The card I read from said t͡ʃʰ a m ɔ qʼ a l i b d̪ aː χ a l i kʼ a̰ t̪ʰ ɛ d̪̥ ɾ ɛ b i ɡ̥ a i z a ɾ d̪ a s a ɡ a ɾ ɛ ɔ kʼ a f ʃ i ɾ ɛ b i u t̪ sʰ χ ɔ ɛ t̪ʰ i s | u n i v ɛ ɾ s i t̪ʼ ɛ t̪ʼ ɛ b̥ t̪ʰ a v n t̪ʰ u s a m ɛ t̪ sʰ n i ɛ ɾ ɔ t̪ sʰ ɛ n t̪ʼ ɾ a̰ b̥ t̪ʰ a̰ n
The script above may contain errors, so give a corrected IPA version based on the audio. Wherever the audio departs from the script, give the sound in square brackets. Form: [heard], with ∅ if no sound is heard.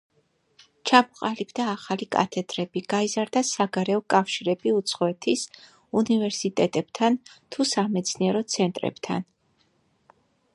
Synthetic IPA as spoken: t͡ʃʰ a m ɔ qʼ a l i b d̪ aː χ a l i kʼ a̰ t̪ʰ ɛ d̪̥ ɾ ɛ b i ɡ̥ a i z a ɾ d̪ a s a ɡ a ɾ ɛ ɔ kʼ a f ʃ i ɾ ɛ b i u t̪ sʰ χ ɔ ɛ t̪ʰ i s | u n i v ɛ ɾ s i t̪ʼ ɛ t̪ʼ ɛ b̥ t̪ʰ a [∅] n t̪ʰ u s a m ɛ t̪ sʰ n i ɛ ɾ ɔ t̪ sʰ ɛ n t̪ʼ ɾ [ɛ̰] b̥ t̪ʰ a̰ n

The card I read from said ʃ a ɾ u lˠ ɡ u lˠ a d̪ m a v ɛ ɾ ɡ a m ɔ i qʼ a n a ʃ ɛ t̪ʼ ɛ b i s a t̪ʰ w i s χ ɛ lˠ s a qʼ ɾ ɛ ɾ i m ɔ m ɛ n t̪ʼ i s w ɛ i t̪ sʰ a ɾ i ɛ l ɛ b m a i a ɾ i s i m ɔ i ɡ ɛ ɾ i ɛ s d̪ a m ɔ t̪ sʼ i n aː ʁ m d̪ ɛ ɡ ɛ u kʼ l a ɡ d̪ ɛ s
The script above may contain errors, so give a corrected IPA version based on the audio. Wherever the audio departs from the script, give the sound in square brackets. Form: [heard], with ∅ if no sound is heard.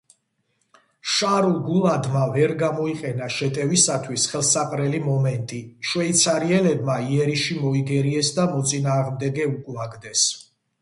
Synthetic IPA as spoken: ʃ a ɾ u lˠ ɡ u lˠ a d̪ m a v ɛ ɾ ɡ a m ɔ i qʼ [ɛ] n a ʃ ɛ t̪ʼ ɛ [v] i s a t̪ʰ w i s χ ɛ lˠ s a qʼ ɾ ɛ [l] i m ɔ m ɛ n t̪ʼ i [ʃ] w ɛ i t̪ sʰ a ɾ i ɛ l ɛ b m a i [ɛ] ɾ i [ʃ] i m ɔ i ɡ ɛ ɾ i ɛ s d̪ a m ɔ t̪ sʼ i n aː ʁ m d̪ ɛ ɡ ɛ u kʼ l a ɡ d̪ ɛ s

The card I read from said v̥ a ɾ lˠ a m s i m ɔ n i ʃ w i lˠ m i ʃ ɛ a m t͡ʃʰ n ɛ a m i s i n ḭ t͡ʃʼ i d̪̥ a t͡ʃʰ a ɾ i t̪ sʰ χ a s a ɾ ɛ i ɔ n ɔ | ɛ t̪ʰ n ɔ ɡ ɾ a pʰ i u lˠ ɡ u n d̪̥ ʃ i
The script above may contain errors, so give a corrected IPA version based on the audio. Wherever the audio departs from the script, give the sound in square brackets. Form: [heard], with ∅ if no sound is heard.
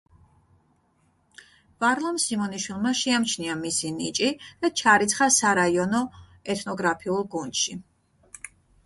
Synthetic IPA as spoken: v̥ a ɾ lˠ a m s i m ɔ n i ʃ w i lˠ m [a] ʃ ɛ a m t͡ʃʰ n [i] a m i s i n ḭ t͡ʃʼ i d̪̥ a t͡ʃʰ a ɾ i t̪ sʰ χ a s a ɾ [a] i ɔ n ɔ | ɛ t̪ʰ n ɔ ɡ ɾ a pʰ i u lˠ ɡ u n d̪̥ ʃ i

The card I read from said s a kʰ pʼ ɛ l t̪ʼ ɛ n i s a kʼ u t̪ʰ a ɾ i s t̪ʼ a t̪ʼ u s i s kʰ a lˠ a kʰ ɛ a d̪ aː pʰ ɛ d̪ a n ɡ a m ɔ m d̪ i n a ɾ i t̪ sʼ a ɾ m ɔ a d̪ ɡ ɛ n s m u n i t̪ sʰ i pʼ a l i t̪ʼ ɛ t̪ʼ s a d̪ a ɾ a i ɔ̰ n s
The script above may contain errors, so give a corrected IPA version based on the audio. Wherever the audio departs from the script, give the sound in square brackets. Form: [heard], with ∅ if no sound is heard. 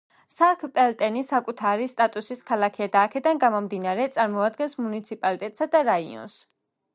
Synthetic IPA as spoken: s a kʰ pʼ ɛ l t̪ʼ ɛ n i s a kʼ u t̪ʰ a ɾ i s t̪ʼ a t̪ʼ u s i s kʰ a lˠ a kʰ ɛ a d̪ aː [kʰ] ɛ d̪ a n ɡ a m ɔ m d̪ i n a ɾ [ɛ] t̪ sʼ a ɾ m ɔ a d̪ ɡ ɛ n s m u n i t̪ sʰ i pʼ a l i t̪ʼ ɛ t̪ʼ s a d̪ a ɾ a i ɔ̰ n s

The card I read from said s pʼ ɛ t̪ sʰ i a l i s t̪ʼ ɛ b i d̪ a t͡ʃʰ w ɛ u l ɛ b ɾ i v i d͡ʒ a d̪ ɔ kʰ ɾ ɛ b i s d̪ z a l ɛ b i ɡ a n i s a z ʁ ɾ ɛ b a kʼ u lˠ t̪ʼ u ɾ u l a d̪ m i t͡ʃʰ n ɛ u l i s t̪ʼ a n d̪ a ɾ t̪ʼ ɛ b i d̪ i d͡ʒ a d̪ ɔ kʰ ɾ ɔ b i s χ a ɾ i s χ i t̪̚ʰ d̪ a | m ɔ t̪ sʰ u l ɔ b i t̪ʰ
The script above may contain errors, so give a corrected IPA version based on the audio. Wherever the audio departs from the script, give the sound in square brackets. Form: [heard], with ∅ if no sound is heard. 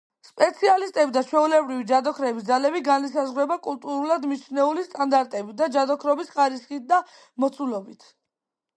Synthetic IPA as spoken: s pʼ ɛ t̪ sʰ i a l i s t̪ʼ ɛ b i d̪ a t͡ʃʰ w ɛ u l ɛ b ɾ i v i d͡ʒ a d̪ ɔ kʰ ɾ ɛ b i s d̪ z a l ɛ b i ɡ a n i s a z ʁ ɾ ɛ b a kʼ u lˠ t̪ʼ u ɾ u l a d̪ m i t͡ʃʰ n ɛ u l i s t̪ʼ a n d̪ a ɾ t̪ʼ ɛ b i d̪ [a] d͡ʒ a d̪ ɔ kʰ ɾ ɔ b i s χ a ɾ i s χ i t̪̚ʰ d̪ a | m ɔ t̪ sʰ u l ɔ b i t̪ʰ

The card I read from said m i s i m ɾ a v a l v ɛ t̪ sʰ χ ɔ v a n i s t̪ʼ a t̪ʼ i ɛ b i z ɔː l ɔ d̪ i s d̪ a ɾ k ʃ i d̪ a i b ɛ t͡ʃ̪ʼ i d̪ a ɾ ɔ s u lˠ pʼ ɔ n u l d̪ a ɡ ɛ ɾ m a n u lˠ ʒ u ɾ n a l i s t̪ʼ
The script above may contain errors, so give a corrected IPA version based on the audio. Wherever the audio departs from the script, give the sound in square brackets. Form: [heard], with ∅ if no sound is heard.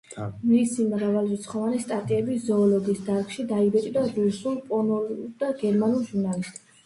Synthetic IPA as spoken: m i s i m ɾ a v a l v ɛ t̪ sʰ χ ɔ v a n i s t̪ʼ a t̪ʼ i ɛ b i z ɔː l ɔ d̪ i s d̪ a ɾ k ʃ i d̪ a i b ɛ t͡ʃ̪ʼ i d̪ a ɾ [u] s u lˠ pʼ ɔ n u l d̪ a ɡ ɛ ɾ m a n u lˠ ʒ u ɾ n a l i s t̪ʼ

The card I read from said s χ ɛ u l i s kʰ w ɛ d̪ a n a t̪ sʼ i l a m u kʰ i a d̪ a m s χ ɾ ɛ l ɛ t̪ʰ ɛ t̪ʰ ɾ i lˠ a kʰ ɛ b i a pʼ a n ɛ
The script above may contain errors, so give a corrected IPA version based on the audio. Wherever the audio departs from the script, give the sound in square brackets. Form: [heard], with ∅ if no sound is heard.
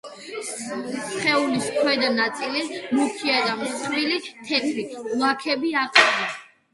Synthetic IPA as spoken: s χ ɛ u l i s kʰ w ɛ d̪ a n a t̪ sʼ i l [i] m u kʰ i a d̪ a m s χ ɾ [i] l [i] t̪ʰ ɛ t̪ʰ ɾ i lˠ a kʰ ɛ b i a [qʼ] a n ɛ

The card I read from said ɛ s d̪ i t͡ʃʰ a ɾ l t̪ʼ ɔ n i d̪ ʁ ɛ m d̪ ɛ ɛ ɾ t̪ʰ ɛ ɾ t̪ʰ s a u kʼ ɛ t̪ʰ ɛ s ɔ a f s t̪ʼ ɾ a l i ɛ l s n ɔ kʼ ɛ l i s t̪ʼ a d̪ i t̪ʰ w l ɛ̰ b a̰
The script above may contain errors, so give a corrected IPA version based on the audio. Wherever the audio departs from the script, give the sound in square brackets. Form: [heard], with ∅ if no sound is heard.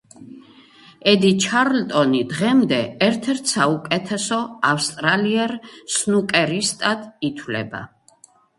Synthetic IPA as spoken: ɛ [∅] d̪ i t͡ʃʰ a ɾ l t̪ʼ ɔ n i d̪ ʁ ɛ m d̪ ɛ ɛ ɾ t̪ʰ ɛ ɾ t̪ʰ s a u kʼ ɛ t̪ʰ ɛ s ɔ a f s t̪ʼ ɾ a l i ɛ [ɾ] s n [u] kʼ ɛ [ɾ] i s t̪ʼ a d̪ i t̪ʰ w l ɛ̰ b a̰

